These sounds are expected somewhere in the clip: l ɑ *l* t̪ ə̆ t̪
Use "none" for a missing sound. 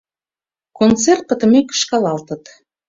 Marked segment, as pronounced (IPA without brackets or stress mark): l